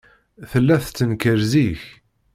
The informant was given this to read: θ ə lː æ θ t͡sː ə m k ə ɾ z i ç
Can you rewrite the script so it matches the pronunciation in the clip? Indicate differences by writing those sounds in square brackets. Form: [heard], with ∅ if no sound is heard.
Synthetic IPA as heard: θ ə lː æ θ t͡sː ə [n] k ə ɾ z i ç